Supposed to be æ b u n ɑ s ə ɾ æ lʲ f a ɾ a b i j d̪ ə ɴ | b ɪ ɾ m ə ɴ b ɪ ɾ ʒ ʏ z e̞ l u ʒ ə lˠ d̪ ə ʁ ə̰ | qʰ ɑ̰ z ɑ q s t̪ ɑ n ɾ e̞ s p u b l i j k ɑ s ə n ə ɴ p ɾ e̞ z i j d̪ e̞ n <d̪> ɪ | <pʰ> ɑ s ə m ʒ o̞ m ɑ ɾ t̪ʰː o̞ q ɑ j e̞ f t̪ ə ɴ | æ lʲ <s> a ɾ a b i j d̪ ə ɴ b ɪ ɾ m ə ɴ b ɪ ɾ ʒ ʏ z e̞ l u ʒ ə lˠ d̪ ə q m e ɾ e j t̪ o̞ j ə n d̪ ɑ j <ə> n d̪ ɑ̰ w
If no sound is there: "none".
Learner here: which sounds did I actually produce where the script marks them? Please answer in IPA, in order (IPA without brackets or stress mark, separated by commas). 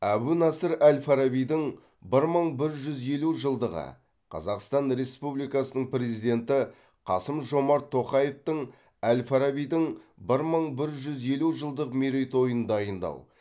t̪, qʰ, f, ə